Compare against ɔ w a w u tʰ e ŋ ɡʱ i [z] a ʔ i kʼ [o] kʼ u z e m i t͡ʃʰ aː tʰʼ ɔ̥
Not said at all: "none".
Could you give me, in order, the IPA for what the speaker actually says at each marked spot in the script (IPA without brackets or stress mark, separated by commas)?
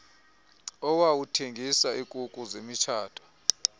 s, u